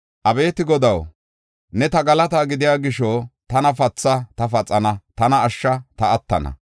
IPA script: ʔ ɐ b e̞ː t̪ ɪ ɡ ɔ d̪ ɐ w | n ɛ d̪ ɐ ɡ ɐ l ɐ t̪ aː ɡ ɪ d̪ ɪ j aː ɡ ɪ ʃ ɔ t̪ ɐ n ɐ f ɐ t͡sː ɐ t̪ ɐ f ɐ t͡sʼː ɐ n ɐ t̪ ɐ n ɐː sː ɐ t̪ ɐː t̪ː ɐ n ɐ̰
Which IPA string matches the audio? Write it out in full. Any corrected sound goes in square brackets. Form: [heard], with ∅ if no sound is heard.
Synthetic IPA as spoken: ʔ ɐ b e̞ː t̪ ɪ ɡ ɔ d̪ ɐ w | n ɛ [t̪] ɐ ɡ ɐ l ɐ t̪ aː ɡ ɪ d̪ ɪ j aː ɡ ɪ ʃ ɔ t̪ ɐ n ɐ f ɐ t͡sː ɐ t̪ ɐ f ɐ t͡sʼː ɐ n ɐ t̪ ɐ n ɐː [ʃː] ɐ t̪ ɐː t̪ː ɐ n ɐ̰